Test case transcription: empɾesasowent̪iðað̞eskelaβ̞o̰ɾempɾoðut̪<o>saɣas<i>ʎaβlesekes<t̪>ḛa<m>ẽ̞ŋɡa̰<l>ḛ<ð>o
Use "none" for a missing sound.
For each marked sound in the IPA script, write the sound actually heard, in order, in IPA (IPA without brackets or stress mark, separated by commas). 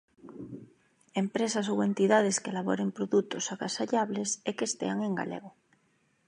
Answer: o, a, t̪, ŋ, l, ɣ